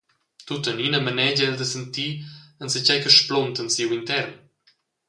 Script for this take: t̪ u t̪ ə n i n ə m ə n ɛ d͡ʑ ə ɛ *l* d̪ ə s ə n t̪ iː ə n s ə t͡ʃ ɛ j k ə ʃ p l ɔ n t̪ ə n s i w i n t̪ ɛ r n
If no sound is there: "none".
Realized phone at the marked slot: l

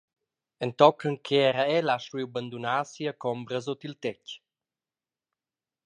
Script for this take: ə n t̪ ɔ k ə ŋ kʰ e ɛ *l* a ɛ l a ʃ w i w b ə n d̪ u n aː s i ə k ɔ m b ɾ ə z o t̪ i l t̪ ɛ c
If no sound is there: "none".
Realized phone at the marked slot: ɾ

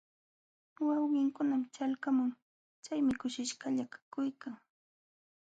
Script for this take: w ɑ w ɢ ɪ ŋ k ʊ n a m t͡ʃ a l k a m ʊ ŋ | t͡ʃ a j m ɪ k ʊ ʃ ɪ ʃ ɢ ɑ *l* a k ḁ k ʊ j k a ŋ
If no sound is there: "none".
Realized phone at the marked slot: ʎ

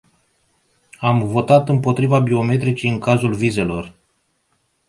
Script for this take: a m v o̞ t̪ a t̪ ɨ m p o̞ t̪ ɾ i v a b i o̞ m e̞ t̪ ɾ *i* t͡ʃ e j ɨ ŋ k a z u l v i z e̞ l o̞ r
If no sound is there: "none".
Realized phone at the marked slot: i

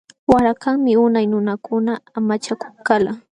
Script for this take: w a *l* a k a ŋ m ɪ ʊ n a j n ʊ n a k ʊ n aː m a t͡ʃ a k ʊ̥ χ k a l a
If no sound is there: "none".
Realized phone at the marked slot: ɾ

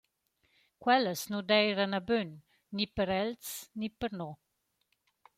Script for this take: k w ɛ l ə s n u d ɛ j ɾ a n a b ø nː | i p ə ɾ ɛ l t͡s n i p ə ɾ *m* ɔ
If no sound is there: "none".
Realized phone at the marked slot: n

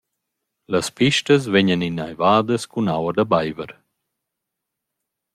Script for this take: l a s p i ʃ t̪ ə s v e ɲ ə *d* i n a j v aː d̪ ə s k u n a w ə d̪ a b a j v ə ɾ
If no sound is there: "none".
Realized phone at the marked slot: n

